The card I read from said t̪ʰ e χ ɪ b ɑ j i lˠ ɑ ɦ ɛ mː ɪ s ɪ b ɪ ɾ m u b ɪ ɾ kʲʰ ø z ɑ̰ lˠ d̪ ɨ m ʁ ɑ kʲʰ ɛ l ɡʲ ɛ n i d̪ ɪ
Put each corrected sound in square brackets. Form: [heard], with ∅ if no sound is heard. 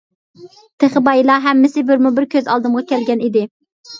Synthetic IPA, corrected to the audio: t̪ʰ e χ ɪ b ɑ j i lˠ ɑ ɦ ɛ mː ɪ s ɪ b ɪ ɾ m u b ɪ ɾ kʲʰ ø z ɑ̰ lˠ d̪ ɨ m ʁ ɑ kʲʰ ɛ l ɡʲ ɛ n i d̪ ɪ